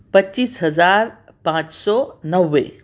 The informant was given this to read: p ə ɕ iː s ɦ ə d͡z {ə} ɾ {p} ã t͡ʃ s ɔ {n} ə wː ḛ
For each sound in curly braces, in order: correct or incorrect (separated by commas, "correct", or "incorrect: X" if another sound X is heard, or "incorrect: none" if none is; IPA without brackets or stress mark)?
incorrect: a, correct, correct